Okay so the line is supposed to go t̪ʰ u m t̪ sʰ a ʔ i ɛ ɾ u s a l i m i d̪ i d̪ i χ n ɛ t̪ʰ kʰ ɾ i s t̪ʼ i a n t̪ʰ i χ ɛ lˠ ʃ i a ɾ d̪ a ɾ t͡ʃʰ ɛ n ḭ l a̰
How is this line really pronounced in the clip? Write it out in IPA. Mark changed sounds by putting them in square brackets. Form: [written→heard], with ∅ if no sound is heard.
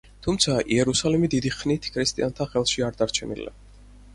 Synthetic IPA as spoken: t̪ʰ u m t̪ sʰ a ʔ i ɛ ɾ u s a l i m i d̪ i d̪ i χ n [ɛ→i] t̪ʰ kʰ ɾ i s t̪ʼ i a n t̪ʰ [i→a] χ ɛ lˠ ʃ i a ɾ d̪ a ɾ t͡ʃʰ ɛ n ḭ l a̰